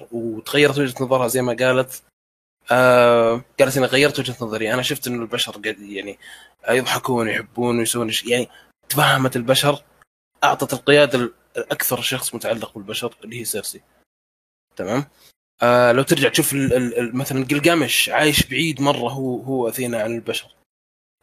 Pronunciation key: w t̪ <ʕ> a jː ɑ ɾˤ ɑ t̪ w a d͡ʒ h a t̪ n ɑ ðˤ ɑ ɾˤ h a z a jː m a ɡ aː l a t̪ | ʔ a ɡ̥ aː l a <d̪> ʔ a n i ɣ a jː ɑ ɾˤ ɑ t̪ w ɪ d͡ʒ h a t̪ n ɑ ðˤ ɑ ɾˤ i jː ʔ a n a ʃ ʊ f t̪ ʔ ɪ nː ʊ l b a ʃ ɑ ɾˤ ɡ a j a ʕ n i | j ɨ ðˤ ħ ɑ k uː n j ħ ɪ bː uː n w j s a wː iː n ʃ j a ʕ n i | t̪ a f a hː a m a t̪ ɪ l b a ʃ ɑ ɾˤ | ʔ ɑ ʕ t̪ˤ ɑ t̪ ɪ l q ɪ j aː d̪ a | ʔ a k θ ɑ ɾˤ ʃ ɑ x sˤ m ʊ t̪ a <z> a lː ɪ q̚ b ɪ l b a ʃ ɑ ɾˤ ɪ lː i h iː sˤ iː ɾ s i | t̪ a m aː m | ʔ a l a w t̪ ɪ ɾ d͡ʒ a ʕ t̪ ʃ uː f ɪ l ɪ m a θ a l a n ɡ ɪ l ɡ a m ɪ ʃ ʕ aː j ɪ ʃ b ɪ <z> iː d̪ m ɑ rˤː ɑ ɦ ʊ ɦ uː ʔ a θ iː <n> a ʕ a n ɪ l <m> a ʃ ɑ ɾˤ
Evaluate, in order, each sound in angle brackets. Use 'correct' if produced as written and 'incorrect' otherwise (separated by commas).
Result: incorrect, incorrect, incorrect, incorrect, correct, incorrect